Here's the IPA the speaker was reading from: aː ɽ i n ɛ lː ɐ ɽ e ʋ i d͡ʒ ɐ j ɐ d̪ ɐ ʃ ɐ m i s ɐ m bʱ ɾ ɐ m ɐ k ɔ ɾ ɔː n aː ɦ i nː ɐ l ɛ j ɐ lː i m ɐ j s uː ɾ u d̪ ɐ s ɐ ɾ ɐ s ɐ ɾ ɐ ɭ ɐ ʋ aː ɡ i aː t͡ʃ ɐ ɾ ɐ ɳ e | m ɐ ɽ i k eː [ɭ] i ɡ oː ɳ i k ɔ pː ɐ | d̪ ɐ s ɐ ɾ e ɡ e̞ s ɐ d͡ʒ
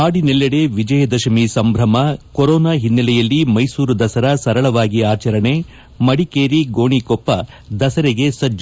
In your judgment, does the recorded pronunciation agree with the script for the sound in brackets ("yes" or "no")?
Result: no